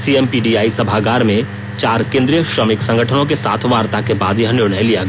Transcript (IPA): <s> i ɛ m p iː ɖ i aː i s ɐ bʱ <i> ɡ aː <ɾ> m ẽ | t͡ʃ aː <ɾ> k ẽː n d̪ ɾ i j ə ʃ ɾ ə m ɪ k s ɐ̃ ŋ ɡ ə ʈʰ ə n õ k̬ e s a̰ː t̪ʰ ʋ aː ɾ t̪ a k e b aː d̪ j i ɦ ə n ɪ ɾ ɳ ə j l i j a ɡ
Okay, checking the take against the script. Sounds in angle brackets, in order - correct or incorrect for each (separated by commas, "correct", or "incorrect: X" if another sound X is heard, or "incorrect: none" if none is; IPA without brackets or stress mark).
correct, incorrect: a, correct, correct